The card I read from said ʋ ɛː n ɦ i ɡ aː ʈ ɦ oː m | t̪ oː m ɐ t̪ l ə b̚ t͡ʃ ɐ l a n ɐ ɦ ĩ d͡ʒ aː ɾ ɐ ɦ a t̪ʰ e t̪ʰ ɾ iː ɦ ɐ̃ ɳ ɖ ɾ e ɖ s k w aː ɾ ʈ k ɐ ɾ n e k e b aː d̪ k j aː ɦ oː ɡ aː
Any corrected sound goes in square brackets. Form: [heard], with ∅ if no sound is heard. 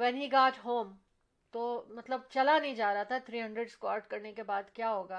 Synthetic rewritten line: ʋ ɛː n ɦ i ɡ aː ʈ ɦ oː m | t̪ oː m ɐ t̪ l ə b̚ t͡ʃ ɐ l a n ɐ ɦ ĩ d͡ʒ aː ɾ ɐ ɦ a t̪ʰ [a] t̪ʰ ɾ iː ɦ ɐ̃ ɳ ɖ ɾ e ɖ s k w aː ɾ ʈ k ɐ ɾ n e k e b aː d̪ k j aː ɦ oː ɡ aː